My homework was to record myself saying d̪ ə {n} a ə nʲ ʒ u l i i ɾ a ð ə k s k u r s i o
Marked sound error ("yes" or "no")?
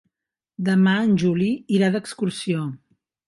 yes